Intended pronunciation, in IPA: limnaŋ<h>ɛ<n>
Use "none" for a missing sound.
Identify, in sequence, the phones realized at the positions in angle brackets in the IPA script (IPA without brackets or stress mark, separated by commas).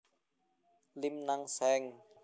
s, ŋ